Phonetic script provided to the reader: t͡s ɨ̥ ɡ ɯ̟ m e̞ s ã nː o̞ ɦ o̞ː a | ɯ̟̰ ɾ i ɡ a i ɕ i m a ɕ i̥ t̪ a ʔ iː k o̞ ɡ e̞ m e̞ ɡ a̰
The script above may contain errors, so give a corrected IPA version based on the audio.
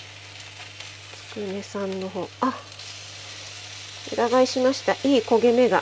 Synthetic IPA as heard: t͡s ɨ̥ k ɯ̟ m e̞ s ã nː o̞ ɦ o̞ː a | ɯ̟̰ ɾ a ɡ a i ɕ i m a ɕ i̥ t̪ a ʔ iː k o̞ ɡ e̞ m e̞ ɡ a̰